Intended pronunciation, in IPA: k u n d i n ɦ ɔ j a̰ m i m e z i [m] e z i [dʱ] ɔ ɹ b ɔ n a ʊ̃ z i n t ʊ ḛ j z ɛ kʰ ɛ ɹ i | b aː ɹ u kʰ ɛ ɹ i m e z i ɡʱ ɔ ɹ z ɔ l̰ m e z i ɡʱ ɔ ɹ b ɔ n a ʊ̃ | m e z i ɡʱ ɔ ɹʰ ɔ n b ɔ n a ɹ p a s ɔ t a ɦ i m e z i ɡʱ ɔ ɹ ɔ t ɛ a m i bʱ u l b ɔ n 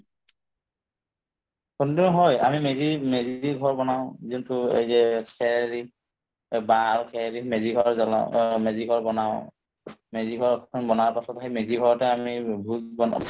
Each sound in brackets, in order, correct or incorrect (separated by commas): correct, incorrect